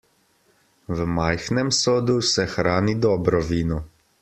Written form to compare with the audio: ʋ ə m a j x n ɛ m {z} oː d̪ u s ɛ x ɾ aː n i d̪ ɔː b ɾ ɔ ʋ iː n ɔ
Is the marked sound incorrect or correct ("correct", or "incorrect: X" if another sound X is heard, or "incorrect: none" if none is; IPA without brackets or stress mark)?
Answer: incorrect: s